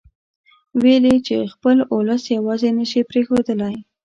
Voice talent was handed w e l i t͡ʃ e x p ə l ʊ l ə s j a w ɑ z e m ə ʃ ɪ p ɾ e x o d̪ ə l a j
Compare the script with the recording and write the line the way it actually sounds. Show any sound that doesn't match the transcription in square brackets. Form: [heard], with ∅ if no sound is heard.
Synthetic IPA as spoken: w e l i t͡ʃ e x p ə l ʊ l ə s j a w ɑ z e [n] ə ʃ [i] p ɾ e x o d̪ ə l a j

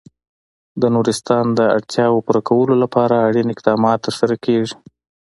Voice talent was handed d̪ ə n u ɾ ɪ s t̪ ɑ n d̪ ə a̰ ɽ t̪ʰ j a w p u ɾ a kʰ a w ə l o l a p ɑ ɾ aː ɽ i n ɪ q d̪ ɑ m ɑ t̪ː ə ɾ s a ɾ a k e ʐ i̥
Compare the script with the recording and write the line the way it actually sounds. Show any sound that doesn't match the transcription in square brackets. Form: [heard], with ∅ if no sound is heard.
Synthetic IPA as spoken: d̪ ə n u ɾ ɪ s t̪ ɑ n d̪ ə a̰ ɽ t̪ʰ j [ɑ] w p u ɾ a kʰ a w ə l o l a p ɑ ɾ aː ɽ i n ɪ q d̪ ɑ m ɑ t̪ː ə ɾ s a ɾ a k e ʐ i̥

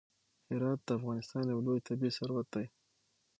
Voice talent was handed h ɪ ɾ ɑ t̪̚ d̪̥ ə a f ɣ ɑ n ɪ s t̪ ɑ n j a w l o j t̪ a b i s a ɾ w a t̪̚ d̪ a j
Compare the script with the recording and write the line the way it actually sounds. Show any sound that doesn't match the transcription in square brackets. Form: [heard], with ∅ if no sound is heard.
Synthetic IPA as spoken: h ɪ ɾ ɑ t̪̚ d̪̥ ə a f ɣ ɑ n ɪ s t̪ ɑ n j a w l o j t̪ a b i s a ɾ w a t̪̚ d̪ a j

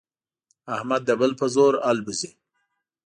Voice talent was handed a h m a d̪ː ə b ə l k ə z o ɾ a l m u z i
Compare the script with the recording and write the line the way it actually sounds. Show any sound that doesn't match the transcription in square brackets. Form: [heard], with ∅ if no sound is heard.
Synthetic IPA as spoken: a h m a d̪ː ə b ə l [p] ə z o ɾ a l [b] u z i

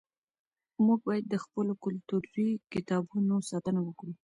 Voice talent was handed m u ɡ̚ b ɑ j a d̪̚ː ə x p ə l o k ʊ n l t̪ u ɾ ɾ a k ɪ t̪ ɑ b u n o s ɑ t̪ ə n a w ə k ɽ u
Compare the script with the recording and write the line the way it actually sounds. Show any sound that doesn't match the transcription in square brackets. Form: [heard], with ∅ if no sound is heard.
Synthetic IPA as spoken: m u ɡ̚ b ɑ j a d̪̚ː ə x p ə l o k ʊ [∅] l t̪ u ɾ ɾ [i] k ɪ t̪ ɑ b u n o s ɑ t̪ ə n a w ə k ɽ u

